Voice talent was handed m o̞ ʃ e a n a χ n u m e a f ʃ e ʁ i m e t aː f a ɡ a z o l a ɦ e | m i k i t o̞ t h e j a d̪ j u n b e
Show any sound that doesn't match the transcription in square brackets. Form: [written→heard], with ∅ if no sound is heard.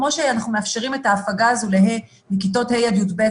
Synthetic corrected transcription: m o̞ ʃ e a n a χ n u m e a f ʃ e ʁ i m e t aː f a ɡ a z [o→u] l [a→e] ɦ e | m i k i t o̞ t h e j a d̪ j u [n→d] b e